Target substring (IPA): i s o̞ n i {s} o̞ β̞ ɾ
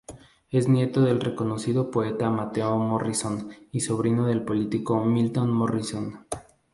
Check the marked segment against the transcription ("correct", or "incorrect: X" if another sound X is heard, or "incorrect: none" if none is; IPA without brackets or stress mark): correct